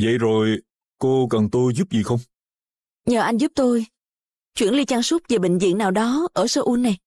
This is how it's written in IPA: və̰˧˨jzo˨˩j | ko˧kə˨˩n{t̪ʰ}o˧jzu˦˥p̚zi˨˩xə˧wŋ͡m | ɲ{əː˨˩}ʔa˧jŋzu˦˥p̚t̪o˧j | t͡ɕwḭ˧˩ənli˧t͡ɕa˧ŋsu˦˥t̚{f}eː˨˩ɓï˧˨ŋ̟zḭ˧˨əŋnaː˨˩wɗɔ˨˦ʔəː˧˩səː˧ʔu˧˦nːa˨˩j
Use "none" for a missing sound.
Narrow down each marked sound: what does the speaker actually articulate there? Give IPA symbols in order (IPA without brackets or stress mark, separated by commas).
t̪, əː˨˩, v